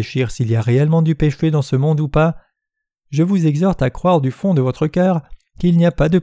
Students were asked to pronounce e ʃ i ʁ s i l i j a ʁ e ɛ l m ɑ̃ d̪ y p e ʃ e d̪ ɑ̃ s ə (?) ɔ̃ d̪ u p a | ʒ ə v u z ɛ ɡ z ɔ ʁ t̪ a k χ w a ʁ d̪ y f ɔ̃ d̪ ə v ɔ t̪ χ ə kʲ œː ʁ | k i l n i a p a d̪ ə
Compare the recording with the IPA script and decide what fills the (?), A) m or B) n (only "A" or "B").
A